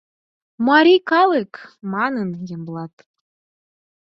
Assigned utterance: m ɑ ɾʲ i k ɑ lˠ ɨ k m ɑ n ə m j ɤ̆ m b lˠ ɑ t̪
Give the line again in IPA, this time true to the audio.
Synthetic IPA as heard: m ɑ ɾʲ i k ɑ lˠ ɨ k m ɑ n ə n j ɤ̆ m b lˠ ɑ t̪